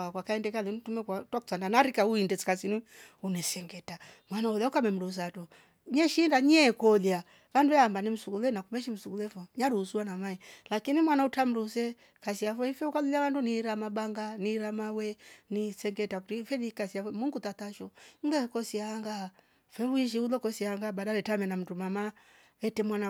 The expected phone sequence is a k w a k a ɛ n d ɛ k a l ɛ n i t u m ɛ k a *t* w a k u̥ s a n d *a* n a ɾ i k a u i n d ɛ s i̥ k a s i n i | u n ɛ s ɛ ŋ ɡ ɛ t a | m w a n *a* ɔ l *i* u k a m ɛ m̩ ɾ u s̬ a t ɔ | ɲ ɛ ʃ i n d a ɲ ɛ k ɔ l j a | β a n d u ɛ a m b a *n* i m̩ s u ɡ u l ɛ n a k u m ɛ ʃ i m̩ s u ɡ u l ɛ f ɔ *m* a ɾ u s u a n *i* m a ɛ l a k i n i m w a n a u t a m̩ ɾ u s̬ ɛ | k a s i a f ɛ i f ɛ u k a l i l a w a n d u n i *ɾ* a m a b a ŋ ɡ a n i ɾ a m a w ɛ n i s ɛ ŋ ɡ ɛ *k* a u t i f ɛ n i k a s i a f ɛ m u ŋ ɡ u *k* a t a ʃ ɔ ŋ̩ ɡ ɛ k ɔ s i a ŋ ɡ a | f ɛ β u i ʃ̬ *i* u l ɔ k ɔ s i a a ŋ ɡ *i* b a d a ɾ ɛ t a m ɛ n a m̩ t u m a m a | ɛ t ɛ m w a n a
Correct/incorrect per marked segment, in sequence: correct, correct, correct, incorrect, correct, incorrect, incorrect, correct, incorrect, incorrect, correct, incorrect

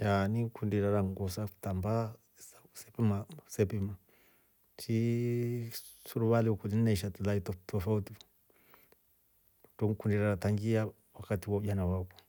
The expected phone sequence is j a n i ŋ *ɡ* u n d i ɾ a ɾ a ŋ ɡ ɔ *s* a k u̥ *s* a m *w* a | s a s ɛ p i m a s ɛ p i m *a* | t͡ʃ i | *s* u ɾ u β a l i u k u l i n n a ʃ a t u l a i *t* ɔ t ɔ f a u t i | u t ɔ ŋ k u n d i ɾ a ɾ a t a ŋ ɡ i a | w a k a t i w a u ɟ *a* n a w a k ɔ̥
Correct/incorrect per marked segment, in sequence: incorrect, correct, incorrect, incorrect, correct, correct, correct, correct

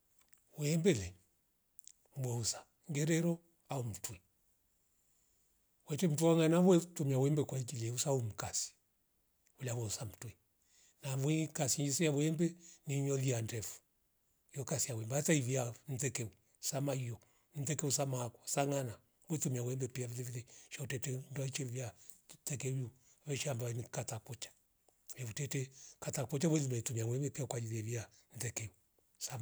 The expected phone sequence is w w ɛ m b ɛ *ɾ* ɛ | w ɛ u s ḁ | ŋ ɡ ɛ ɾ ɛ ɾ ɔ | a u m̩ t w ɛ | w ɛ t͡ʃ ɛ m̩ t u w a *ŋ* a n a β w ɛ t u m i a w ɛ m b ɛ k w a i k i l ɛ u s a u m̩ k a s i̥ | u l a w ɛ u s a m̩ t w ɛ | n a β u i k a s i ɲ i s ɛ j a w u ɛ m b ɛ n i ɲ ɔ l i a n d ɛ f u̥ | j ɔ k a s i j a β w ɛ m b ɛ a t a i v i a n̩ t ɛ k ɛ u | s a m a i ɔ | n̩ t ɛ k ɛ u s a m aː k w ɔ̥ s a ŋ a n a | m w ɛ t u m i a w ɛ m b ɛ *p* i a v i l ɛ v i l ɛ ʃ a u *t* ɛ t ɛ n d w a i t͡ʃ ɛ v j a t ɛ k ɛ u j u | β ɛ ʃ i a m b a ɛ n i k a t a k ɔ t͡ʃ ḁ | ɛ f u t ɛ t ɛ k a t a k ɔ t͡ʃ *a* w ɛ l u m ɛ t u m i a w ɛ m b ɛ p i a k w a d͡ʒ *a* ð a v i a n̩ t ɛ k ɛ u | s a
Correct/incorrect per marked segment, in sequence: incorrect, correct, correct, correct, correct, incorrect

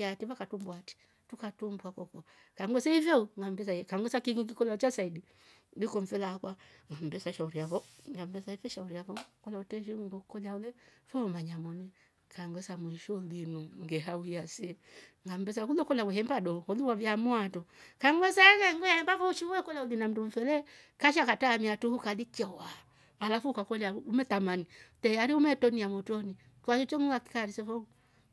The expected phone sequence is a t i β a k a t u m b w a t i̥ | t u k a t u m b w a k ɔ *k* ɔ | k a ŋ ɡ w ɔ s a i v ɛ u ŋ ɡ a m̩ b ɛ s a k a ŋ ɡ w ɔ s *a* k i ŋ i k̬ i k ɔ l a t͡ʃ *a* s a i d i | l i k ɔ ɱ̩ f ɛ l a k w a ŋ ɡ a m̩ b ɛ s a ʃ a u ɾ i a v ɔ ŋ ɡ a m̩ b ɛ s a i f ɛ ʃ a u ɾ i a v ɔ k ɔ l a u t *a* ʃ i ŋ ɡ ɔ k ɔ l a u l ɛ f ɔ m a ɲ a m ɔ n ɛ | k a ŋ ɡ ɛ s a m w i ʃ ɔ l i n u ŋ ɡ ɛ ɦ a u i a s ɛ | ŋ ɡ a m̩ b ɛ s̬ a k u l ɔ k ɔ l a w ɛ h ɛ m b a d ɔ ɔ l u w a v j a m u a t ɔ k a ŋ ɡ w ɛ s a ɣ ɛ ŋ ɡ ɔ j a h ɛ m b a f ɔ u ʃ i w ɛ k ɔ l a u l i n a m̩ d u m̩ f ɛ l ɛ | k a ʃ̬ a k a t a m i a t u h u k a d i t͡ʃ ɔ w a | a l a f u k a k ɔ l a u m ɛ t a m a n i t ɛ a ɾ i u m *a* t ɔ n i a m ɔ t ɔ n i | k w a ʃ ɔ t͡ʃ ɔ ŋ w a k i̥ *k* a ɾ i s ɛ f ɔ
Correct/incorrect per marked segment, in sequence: correct, correct, correct, incorrect, incorrect, correct

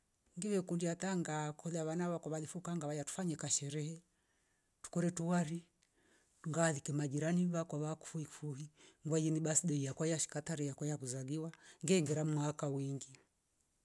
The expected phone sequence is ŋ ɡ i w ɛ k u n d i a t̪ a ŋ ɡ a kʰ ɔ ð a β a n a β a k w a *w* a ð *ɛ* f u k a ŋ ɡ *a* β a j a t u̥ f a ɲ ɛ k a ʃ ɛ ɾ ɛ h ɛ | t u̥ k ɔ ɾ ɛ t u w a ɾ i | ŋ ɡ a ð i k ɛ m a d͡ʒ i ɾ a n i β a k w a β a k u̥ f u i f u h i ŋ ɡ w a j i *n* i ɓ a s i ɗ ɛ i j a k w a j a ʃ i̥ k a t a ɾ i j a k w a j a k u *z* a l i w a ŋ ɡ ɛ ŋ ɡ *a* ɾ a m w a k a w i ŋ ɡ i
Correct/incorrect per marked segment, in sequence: incorrect, incorrect, correct, correct, correct, incorrect

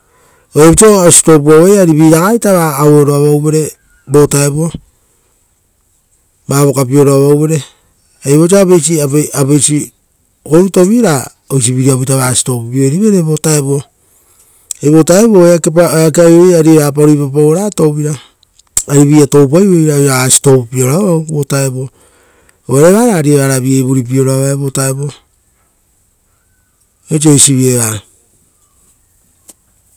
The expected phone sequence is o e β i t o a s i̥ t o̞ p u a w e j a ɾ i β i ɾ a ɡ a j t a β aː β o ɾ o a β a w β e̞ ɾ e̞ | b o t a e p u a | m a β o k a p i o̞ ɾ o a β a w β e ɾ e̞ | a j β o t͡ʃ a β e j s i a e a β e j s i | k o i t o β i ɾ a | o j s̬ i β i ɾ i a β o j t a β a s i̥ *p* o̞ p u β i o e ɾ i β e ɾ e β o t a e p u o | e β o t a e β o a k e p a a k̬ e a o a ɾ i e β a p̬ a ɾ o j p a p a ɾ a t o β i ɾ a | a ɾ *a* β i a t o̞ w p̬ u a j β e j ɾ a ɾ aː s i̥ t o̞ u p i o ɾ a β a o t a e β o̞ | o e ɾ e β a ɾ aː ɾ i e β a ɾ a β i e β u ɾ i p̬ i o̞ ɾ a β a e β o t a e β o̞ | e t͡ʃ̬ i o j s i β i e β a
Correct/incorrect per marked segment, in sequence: incorrect, incorrect

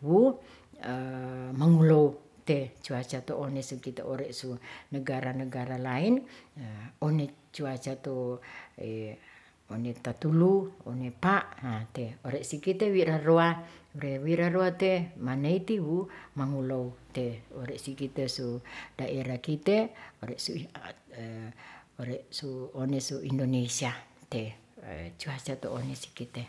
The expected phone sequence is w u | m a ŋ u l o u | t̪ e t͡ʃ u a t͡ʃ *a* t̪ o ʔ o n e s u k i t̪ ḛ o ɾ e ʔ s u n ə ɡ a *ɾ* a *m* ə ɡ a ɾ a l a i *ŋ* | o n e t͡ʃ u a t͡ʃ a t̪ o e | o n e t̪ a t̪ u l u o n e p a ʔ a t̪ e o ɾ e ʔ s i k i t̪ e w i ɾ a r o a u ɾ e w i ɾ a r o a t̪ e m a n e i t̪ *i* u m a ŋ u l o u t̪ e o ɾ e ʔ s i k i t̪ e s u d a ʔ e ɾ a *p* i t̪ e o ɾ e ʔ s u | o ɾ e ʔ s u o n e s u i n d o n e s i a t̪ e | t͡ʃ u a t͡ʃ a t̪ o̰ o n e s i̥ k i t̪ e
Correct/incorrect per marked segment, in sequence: correct, correct, incorrect, incorrect, correct, incorrect

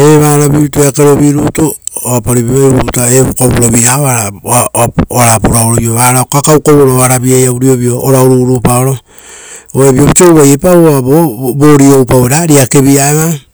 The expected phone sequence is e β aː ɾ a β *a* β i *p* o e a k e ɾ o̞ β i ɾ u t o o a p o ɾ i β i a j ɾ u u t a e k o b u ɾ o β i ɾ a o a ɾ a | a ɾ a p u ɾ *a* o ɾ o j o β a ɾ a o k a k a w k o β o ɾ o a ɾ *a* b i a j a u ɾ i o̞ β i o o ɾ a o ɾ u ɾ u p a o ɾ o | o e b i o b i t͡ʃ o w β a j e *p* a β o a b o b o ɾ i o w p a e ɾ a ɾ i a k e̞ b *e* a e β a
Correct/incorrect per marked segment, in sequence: incorrect, incorrect, correct, correct, correct, incorrect

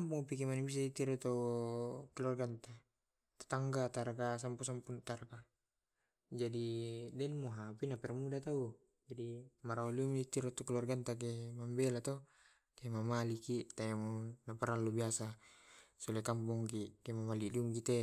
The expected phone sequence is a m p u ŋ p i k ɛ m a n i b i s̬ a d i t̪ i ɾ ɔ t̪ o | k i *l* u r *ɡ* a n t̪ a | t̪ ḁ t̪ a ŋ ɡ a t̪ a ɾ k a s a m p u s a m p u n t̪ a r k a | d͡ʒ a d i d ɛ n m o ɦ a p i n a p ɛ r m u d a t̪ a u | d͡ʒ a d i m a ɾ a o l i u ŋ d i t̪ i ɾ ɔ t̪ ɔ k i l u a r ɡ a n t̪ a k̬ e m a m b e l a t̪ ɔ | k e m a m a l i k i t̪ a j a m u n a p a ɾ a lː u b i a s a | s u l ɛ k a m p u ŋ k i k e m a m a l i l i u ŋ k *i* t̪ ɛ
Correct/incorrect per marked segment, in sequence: correct, correct, correct

